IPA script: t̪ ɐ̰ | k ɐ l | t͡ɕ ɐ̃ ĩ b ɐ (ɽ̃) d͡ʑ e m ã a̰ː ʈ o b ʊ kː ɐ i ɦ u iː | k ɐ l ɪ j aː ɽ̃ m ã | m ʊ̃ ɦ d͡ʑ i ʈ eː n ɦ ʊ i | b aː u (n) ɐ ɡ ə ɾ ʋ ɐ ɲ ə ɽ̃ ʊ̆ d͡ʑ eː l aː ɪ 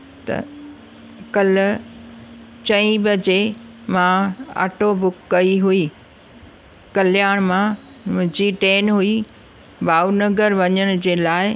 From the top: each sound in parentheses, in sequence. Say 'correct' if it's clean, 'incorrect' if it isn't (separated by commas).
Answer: incorrect, correct